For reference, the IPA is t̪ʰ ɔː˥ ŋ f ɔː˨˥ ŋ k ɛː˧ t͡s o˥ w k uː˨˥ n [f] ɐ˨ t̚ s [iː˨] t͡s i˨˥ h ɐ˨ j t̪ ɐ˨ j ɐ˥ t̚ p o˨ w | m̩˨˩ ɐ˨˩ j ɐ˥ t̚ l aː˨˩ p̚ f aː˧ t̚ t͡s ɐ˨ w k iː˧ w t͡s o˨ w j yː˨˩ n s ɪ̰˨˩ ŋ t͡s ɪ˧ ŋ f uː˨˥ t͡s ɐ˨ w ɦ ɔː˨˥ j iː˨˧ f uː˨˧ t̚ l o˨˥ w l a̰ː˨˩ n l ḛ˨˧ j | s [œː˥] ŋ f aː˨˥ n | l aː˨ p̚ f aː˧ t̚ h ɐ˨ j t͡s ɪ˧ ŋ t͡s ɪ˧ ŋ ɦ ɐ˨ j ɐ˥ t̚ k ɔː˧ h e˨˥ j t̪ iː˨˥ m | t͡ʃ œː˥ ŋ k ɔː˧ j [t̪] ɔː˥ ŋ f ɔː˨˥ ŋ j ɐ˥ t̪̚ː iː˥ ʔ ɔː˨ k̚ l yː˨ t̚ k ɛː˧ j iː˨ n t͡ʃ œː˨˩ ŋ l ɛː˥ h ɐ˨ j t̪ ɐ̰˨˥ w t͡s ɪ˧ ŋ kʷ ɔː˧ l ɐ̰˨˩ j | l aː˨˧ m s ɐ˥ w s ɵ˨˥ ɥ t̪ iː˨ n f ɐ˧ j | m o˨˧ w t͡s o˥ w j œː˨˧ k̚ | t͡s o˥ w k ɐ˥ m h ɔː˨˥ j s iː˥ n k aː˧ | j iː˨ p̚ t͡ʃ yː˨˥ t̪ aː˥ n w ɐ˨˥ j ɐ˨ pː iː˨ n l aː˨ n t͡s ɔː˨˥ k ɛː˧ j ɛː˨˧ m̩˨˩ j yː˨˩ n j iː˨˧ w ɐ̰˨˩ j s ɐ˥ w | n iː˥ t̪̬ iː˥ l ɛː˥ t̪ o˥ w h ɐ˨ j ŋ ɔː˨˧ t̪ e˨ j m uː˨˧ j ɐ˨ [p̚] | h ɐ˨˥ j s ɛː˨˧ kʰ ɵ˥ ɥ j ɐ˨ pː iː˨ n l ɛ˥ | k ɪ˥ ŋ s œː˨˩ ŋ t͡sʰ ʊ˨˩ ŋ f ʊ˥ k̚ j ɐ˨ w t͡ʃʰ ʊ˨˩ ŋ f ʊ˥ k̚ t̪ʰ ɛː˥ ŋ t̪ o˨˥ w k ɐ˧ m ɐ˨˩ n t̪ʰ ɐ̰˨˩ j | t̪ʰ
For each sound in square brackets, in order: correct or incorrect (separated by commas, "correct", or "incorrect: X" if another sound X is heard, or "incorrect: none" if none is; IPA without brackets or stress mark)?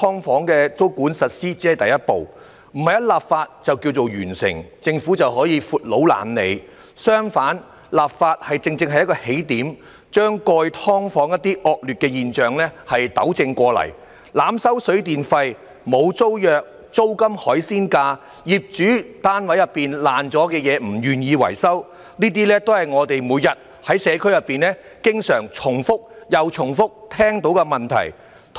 incorrect: s, incorrect: iː˥, correct, incorrect: t̪ʰ, incorrect: t̚